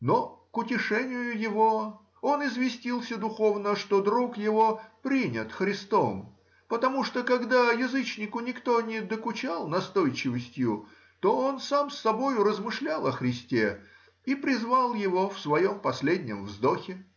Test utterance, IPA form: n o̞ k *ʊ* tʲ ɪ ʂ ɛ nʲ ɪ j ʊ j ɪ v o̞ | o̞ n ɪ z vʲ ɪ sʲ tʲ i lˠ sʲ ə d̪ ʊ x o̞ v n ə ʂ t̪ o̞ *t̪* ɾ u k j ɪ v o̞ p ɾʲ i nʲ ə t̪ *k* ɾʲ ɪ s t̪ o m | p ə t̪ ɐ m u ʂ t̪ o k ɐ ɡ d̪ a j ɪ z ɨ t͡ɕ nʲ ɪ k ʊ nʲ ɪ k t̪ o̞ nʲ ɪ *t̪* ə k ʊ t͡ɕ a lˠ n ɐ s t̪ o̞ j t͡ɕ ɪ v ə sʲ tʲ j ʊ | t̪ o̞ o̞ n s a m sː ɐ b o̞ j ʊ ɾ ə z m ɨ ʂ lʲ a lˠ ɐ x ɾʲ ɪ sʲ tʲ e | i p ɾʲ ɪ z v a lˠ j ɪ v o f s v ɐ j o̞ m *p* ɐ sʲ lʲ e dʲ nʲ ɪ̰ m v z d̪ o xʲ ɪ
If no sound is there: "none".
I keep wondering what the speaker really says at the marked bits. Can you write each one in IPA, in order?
ʊ, d̪, x, d̪, p

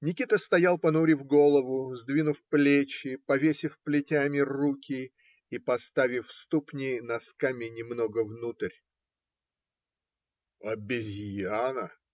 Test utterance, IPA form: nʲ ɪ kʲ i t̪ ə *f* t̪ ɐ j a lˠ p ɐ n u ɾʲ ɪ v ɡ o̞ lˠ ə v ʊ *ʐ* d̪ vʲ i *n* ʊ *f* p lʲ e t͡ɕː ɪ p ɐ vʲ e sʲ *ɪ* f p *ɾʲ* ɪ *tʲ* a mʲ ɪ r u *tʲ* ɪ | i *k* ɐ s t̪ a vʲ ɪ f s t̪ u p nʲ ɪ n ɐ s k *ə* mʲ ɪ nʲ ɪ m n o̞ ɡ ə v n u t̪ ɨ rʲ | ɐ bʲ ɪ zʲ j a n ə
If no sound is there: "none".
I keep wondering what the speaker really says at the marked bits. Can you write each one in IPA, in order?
s, z, n, f, ɪ, lʲ, tʲ, kʲ, p, a

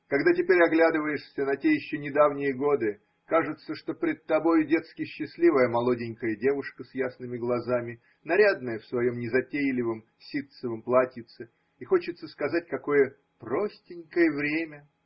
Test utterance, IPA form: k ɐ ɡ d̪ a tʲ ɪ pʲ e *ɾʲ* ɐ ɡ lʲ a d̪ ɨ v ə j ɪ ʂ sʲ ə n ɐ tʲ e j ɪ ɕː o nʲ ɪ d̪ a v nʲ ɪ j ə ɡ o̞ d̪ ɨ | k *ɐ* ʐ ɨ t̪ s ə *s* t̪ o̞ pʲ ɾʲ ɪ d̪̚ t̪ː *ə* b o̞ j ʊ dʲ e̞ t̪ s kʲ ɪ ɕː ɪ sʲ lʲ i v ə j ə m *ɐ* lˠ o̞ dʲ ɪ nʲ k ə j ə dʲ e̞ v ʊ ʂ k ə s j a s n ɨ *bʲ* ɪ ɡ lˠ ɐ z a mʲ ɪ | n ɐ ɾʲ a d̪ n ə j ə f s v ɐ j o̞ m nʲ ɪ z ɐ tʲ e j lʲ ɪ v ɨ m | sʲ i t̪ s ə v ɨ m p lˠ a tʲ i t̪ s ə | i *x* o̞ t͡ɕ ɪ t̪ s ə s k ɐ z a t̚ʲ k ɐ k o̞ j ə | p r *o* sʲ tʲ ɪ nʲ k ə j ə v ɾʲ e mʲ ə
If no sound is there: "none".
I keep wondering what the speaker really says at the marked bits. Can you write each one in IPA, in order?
ɾʲ, a, ʂ, ɐ, ɐ, mʲ, x, o

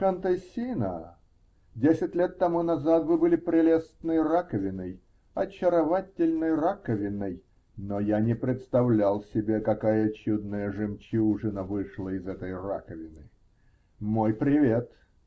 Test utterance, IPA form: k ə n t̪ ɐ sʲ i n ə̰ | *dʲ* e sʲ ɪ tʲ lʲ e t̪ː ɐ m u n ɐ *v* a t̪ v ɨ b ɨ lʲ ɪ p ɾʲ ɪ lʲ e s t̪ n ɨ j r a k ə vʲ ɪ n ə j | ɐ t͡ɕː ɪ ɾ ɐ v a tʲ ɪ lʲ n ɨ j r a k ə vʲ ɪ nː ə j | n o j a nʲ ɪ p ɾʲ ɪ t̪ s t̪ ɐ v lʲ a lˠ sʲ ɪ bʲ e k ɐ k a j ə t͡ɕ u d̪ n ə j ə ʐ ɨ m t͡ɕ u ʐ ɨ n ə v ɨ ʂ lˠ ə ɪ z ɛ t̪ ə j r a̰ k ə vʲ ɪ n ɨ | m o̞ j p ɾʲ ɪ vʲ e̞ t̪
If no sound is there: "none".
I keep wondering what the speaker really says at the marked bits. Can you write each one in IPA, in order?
dʲ, z

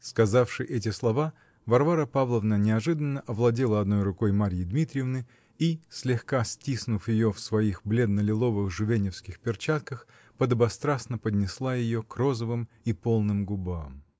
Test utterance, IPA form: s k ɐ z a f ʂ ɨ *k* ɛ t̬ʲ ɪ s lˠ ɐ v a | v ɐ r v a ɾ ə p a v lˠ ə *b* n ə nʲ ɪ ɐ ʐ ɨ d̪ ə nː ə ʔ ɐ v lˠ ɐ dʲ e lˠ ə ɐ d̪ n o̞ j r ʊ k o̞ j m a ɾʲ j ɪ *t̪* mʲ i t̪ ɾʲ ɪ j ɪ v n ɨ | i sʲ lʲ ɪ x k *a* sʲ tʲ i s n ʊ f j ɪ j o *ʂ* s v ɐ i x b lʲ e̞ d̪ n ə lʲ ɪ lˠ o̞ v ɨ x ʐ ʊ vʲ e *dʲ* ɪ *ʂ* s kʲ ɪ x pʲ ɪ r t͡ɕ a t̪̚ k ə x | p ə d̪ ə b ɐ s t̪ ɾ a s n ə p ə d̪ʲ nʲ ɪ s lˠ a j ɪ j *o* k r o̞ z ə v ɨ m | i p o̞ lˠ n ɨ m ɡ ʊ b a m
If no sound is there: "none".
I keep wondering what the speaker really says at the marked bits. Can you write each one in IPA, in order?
ʔ, v, d̪, a, f, nʲ, f, o

